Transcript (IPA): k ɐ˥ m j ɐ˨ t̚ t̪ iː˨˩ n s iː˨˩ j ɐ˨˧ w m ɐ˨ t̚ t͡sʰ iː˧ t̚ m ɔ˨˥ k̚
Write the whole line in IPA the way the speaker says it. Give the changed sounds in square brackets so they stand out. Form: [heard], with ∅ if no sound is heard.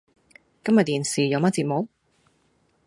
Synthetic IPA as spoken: k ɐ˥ m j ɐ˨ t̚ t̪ iː˨˩ n s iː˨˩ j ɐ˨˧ w m [ɐ˥] t̚ [t͡s] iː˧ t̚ m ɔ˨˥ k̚

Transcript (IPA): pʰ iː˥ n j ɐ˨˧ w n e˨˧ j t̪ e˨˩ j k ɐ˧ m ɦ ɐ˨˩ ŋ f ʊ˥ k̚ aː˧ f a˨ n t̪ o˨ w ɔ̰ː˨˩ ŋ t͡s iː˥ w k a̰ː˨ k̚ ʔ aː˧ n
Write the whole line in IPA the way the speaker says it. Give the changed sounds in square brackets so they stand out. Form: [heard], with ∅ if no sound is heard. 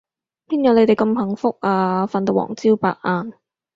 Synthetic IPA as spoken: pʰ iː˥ n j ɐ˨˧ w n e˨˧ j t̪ e˨˩ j k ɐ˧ m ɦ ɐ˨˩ ŋ f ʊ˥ k̚ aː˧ f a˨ n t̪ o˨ w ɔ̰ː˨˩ ŋ t͡s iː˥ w [p] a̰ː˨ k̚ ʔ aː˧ n

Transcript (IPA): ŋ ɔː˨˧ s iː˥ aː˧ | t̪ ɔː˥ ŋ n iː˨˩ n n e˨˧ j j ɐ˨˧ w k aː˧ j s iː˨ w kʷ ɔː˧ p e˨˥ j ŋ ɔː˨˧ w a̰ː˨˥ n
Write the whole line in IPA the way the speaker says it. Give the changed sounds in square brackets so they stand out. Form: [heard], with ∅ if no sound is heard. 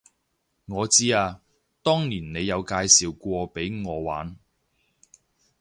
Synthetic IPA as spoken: ŋ ɔː˨˧ [t͡s] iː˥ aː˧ | t̪ ɔː˥ ŋ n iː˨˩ n n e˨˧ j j ɐ˨˧ w k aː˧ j s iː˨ w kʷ ɔː˧ p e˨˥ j ŋ ɔː˨˧ w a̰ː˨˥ n

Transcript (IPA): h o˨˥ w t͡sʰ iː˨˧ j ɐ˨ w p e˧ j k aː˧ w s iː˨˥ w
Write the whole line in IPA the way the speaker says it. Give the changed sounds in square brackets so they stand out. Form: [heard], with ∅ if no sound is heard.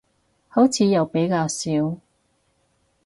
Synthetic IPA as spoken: h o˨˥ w t͡sʰ iː˨˧ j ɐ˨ w p [e˨˥] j k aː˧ w s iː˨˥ w

